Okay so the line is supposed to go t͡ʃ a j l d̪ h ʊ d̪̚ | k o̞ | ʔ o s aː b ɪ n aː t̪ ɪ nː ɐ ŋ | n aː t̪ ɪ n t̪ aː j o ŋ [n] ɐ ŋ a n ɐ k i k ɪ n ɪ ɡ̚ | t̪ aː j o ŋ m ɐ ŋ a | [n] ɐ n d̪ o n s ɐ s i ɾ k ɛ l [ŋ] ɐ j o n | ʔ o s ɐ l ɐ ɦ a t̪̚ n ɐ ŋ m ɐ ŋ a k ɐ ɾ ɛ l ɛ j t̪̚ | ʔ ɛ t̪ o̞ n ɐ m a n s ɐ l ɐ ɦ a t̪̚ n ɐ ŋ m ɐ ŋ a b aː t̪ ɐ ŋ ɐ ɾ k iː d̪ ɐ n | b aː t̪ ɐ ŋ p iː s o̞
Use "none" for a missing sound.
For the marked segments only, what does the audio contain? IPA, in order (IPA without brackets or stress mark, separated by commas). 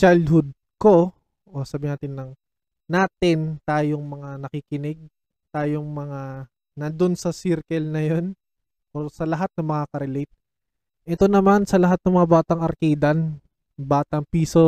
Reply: m, n, n